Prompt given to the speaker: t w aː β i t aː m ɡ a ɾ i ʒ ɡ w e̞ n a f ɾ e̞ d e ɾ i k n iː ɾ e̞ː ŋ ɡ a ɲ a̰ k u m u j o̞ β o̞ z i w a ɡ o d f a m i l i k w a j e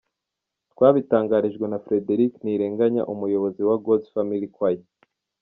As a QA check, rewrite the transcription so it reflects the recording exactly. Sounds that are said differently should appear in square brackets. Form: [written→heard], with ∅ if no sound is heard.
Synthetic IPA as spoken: t w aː β i t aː [m→ŋ] ɡ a ɾ i ʒ ɡ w e̞ n a f ɾ e̞ d e ɾ i k n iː ɾ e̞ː ŋ ɡ a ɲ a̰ [k→ʔ] u m u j o̞ β o̞ z i w a ɡ o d f a m i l i k w a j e